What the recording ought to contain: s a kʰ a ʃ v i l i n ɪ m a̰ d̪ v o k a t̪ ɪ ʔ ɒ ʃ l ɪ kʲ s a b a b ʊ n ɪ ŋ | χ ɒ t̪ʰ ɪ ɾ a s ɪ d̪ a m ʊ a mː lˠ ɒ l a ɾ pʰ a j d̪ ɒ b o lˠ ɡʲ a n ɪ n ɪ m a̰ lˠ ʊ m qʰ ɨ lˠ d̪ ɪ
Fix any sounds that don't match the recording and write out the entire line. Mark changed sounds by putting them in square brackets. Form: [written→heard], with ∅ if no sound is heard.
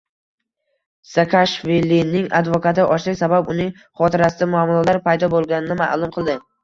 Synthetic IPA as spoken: s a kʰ a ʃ v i l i n ɪ [m→ŋ] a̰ d̪ v o k a t̪ ɪ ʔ ɒ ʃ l ɪ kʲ s a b a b ʊ n ɪ ŋ | χ ɒ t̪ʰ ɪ ɾ a s ɪ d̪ a m ʊ a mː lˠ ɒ l a ɾ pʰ a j d̪ ɒ b o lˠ ɡʲ a n ɪ n ɪ m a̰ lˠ ʊ m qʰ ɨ lˠ d̪ ɪ